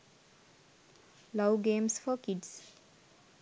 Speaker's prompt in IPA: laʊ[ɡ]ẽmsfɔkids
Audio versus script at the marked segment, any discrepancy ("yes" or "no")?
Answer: no